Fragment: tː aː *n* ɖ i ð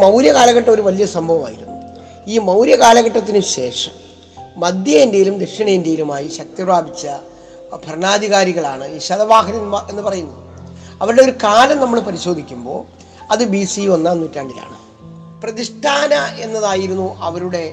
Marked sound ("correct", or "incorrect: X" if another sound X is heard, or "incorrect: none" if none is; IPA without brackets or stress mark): incorrect: ɳ